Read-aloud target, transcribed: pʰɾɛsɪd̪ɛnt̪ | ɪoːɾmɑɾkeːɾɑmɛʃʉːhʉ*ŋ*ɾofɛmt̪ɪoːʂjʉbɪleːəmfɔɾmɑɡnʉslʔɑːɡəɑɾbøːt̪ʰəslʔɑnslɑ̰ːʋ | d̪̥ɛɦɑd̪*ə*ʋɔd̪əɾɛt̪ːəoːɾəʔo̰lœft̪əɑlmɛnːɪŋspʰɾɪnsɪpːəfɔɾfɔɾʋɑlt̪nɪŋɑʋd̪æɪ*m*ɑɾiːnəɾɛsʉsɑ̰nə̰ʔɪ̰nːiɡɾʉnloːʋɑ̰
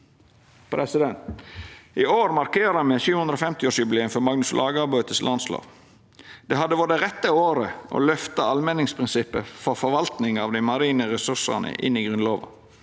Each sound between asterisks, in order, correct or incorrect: incorrect: n, correct, correct

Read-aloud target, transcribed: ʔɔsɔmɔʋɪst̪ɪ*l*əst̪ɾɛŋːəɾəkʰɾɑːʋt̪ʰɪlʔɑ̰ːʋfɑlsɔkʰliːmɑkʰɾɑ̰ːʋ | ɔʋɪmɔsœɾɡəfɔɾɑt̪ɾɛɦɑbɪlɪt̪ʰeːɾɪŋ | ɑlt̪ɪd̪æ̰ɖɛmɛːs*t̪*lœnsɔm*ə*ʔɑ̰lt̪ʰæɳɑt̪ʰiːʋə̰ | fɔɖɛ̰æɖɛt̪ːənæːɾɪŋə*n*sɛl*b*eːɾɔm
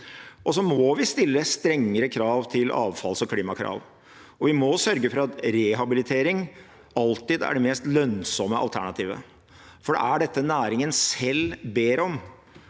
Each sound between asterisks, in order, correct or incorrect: incorrect: lː, correct, correct, correct, correct

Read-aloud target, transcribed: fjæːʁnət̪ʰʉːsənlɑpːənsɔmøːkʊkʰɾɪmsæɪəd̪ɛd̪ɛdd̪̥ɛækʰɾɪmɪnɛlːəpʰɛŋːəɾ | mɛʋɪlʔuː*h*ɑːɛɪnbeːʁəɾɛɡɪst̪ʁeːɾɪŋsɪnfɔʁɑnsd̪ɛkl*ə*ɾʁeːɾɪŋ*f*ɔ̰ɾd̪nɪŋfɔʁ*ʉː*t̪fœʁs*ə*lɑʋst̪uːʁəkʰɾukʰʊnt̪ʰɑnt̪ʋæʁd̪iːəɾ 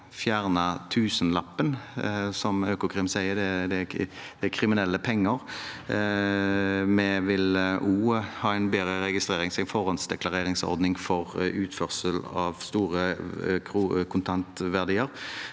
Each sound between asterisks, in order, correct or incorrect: correct, incorrect: ɑ, incorrect: s, correct, correct

